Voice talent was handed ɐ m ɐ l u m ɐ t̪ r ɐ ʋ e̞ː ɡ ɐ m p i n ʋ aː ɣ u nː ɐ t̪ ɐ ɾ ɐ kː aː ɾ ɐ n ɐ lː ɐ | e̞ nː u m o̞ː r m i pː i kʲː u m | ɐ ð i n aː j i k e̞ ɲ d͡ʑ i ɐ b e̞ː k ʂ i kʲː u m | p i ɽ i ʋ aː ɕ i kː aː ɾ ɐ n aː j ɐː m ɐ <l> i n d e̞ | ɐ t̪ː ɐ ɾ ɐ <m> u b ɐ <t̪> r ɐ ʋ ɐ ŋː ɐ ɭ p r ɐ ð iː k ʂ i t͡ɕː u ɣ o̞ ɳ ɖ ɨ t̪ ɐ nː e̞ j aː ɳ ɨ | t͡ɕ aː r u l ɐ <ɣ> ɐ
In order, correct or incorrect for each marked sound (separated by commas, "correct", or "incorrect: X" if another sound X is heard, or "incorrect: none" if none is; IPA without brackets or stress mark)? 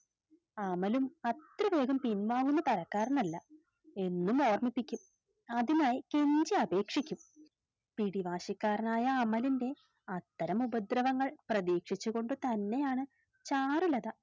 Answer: correct, correct, incorrect: d̪, incorrect: ð